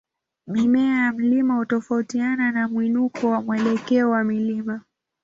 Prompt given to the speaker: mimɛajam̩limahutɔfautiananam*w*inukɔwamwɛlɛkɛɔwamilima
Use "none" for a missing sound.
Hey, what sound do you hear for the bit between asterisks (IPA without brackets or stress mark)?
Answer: w